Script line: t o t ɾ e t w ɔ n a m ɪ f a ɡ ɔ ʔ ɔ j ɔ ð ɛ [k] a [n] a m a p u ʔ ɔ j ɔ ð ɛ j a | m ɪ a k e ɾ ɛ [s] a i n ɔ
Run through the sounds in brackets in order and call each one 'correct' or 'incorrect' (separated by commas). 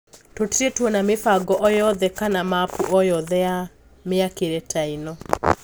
correct, correct, incorrect